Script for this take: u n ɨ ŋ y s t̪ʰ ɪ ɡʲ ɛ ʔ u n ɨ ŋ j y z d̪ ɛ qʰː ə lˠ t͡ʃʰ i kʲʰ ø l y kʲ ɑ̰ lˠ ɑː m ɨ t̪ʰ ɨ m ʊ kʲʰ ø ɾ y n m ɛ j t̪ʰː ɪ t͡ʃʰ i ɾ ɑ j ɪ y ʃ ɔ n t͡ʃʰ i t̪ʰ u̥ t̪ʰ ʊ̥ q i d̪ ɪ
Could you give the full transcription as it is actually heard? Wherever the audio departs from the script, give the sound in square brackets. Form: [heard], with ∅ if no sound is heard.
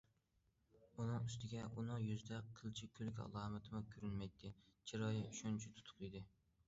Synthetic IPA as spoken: u n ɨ ŋ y s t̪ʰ ɪ ɡʲ ɛ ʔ u n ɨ ŋ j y z d̪ ɛ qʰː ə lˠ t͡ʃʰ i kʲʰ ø l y kʲ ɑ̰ lˠ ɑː m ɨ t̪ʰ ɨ m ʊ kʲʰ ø ɾ y n m ɛ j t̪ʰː ɪ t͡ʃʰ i ɾ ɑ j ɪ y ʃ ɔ n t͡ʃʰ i t̪ʰ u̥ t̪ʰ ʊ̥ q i d̪ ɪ